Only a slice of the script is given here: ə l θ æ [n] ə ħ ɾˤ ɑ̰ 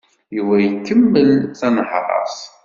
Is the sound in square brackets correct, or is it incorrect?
correct